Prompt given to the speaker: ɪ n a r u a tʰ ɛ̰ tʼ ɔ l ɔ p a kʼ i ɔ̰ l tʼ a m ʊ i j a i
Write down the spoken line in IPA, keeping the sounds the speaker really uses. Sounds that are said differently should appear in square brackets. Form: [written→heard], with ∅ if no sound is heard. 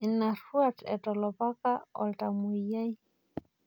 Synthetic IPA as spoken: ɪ n a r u a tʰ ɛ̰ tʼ ɔ l ɔ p a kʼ [i→a] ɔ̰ l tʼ a m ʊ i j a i